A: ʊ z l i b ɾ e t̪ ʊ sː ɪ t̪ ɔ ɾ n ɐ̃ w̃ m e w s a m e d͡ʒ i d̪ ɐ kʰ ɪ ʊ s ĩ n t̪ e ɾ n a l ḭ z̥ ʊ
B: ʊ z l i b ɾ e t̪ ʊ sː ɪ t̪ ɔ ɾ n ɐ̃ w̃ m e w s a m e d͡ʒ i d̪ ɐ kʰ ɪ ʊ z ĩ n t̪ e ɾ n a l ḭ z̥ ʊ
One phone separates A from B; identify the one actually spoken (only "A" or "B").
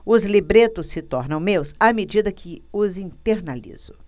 B